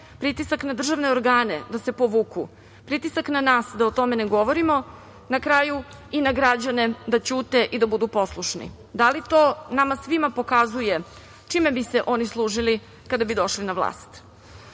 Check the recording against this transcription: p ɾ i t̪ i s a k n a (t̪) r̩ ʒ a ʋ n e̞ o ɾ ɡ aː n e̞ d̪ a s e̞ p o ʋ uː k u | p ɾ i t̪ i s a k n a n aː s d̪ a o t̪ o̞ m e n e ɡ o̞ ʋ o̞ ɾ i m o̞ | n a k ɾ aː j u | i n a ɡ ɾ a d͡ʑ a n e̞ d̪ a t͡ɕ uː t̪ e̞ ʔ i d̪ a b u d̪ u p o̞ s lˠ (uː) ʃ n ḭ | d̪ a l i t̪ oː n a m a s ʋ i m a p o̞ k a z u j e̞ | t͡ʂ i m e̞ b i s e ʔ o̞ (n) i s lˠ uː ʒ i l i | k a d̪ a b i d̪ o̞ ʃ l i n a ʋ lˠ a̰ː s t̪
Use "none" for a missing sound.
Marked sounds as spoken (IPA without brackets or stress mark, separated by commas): d̪, u, n